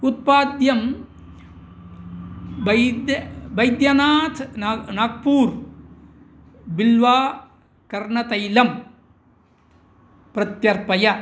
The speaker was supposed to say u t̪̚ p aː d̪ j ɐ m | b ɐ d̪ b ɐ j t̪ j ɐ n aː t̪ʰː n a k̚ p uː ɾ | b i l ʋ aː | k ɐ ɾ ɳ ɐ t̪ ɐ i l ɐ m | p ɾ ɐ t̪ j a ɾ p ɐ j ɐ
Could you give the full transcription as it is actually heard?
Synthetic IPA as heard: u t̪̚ p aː d̪ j ɐ m | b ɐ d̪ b ɐ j d̪ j ɐ n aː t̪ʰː n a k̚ p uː ɾ | b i l ʋ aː | k ɐ ɾ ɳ ɐ t̪ ɐ j l ɐ m | p ɾ ɐ t̪ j ɐ ɾ p ɐ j ɐ